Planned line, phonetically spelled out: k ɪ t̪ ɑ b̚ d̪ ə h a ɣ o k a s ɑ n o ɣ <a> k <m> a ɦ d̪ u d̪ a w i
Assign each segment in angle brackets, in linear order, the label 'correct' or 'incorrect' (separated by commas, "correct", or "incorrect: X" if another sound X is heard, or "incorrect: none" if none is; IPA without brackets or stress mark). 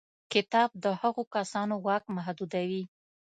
incorrect: ɑ, correct